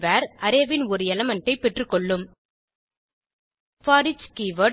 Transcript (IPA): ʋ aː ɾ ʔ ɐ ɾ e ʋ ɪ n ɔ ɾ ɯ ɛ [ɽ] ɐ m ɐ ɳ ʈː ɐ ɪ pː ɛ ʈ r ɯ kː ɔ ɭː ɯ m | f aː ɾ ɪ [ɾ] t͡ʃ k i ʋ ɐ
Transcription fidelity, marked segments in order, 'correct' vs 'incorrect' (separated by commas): incorrect, incorrect